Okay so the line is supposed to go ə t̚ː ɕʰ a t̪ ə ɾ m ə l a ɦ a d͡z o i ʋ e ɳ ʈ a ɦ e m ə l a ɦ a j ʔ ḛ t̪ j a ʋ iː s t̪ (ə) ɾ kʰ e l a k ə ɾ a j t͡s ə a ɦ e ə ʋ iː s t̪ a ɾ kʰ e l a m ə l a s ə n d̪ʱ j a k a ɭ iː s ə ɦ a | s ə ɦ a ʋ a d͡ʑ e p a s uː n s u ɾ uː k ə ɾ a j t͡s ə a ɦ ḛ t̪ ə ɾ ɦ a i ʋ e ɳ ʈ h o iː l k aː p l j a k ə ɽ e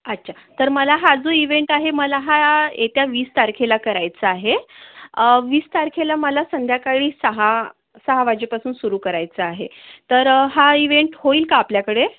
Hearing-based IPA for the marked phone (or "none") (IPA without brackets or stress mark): a